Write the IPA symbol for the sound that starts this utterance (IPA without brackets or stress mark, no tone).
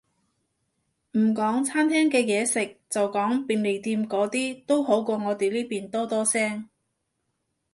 m̩